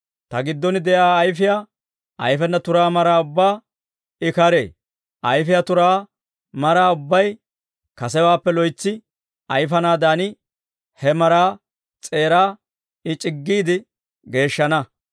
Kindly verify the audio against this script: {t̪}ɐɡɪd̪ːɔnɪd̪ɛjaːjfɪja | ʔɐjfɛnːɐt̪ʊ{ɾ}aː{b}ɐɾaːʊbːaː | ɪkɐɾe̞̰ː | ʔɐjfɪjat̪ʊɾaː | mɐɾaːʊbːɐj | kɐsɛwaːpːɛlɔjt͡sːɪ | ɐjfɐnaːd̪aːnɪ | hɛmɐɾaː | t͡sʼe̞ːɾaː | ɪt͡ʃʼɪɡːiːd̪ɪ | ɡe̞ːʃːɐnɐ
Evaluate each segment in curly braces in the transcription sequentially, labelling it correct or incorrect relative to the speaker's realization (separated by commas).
correct, correct, incorrect